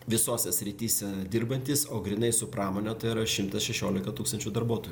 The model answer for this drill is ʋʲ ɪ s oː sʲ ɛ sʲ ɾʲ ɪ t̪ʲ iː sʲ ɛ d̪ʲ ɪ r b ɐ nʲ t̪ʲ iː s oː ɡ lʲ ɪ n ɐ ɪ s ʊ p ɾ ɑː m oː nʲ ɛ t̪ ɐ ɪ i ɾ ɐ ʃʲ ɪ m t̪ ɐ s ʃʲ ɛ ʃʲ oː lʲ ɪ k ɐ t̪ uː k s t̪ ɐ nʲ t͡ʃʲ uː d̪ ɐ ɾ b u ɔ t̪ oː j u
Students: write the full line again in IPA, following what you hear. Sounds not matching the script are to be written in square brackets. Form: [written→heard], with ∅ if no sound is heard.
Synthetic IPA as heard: ʋʲ ɪ s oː sʲ ɛ sʲ ɾʲ ɪ t̪ʲ iː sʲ ɛ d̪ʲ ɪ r b ɐ nʲ t̪ʲ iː s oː ɡ [lʲ→ɾʲ] ɪ n ɐ ɪ s ʊ p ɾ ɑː m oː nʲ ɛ t̪ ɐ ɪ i ɾ ɐ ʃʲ ɪ m t̪ ɐ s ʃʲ ɛ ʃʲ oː lʲ ɪ k ɐ t̪ uː k s t̪ ɐ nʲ t͡ʃʲ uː d̪ ɐ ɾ b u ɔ t̪ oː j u